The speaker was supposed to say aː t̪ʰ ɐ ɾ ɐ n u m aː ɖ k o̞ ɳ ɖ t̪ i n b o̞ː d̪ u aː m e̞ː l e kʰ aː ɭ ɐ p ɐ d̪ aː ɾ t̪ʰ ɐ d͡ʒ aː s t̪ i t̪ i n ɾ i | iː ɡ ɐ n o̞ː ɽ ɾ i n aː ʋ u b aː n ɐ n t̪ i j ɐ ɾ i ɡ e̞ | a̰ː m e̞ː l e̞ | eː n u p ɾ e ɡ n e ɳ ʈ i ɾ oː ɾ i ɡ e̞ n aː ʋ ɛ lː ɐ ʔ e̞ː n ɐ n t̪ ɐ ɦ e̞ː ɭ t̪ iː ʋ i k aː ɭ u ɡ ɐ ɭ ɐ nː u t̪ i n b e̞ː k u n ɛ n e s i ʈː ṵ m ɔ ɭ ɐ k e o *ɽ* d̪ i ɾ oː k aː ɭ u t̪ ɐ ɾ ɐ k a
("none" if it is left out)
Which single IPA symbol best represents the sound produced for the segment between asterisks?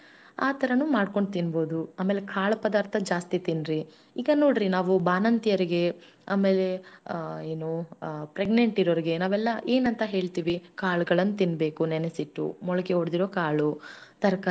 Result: ɽ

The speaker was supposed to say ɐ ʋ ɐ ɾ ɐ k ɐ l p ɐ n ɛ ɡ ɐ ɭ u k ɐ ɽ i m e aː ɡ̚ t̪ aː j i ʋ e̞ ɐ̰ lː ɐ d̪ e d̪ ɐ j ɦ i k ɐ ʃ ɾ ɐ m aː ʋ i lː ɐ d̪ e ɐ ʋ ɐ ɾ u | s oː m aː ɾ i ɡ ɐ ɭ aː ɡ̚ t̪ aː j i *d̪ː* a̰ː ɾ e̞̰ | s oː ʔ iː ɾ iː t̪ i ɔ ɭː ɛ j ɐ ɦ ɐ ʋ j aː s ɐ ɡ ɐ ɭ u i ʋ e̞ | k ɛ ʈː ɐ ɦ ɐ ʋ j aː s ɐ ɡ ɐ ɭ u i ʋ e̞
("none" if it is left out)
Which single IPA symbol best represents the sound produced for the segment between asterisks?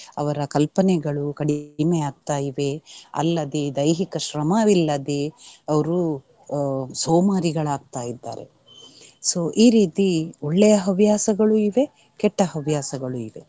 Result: d̪ː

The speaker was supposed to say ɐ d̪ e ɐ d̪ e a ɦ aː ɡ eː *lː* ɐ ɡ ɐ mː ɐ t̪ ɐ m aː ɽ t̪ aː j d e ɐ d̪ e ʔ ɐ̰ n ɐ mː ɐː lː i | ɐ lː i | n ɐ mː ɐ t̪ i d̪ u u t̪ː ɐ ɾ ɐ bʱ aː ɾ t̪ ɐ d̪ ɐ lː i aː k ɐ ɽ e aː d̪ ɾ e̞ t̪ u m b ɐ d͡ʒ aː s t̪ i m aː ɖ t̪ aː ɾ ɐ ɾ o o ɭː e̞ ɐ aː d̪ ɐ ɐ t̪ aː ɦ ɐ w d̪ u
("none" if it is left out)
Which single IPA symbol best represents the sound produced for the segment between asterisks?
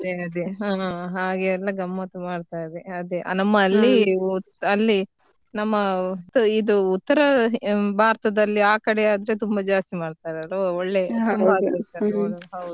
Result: lː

